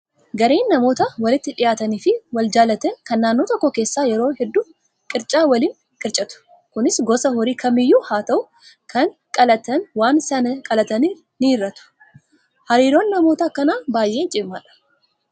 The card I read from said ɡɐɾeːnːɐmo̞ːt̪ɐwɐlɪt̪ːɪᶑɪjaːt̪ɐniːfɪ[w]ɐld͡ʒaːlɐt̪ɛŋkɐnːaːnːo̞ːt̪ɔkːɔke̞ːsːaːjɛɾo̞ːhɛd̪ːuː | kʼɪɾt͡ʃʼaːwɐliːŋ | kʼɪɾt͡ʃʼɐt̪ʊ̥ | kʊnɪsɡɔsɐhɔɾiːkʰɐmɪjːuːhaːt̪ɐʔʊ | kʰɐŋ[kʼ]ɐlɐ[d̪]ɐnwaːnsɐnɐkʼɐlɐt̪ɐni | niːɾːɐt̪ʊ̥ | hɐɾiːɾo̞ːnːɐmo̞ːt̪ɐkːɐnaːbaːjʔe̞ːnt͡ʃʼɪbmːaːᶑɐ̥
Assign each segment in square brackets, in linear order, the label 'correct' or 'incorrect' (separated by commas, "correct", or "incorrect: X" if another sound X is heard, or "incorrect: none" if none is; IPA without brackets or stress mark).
correct, correct, incorrect: t̪